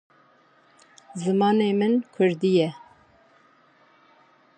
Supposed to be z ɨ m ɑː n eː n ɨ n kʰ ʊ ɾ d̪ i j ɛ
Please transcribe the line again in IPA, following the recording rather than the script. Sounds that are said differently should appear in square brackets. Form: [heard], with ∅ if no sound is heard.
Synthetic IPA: z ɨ m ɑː n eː [m] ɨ n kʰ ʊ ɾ d̪ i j ɛ